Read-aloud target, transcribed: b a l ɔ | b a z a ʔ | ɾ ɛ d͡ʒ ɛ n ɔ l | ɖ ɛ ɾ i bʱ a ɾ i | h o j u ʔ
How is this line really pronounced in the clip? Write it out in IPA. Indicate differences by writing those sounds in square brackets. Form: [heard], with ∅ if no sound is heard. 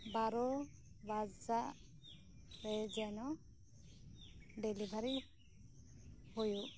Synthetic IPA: b a [ɾ] ɔ | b a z a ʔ | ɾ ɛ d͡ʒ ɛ n ɔ [∅] | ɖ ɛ [l] i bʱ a ɾ i | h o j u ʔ